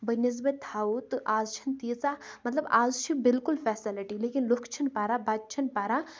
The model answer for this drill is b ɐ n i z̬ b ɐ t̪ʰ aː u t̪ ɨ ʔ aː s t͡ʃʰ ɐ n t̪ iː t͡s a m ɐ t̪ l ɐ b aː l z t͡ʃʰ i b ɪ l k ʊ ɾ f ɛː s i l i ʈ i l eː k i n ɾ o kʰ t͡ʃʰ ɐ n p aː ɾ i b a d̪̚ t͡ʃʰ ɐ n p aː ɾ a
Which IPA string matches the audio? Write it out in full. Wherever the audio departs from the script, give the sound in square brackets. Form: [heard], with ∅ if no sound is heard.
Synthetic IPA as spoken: b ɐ n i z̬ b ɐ t̪ʰ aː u t̪ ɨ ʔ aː [z] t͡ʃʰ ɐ n t̪ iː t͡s a m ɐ t̪ l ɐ b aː [∅] z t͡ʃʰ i b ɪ l k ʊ [l] f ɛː s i l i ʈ i l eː k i n [l] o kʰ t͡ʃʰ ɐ n p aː ɾ [a] b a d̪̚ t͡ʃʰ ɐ n p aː ɾ a